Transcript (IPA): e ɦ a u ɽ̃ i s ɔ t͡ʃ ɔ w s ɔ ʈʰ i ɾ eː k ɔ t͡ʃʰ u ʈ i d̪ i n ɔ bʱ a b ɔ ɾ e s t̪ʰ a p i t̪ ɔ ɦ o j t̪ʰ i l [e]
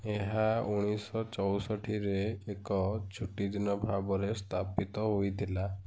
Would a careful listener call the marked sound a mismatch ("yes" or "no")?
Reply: yes